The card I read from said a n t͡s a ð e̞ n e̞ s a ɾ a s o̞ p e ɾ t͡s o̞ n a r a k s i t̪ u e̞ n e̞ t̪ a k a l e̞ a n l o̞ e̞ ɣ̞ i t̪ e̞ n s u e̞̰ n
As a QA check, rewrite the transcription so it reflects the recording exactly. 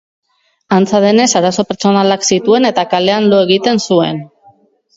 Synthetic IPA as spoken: a n t͡s a ð e̞ n e̞ s a ɾ a s o̞ p e ɾ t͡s o̞ n a l a k s i t̪ u e̞ n e̞ t̪ a k a l e̞ a n l o̞ e̞ ɣ̞ i t̪ e̞ n s u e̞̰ n